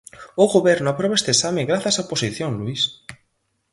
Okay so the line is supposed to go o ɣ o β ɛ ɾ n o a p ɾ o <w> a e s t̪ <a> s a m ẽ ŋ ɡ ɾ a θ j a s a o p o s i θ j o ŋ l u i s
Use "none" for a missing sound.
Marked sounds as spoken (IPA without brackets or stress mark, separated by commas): β, e